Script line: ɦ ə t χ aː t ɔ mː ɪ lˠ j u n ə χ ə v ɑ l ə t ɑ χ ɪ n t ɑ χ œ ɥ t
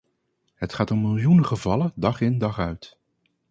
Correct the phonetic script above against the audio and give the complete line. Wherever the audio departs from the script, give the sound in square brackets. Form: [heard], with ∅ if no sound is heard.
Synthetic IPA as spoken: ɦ ə t χ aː t ɔ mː ɪ lˠ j u n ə χ ə v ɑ l ə [d] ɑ χ ɪ n [d] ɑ χ œ ɥ t